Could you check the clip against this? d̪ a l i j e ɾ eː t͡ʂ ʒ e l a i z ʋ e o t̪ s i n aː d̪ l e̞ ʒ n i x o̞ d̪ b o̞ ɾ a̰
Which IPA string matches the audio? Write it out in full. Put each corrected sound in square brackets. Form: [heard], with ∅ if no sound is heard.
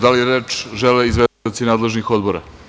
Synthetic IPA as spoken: d̪ a l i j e ɾ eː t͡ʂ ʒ e l [e] i z ʋ e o t̪ s i n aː d̪ l e̞ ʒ n i x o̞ d̪ b o̞ ɾ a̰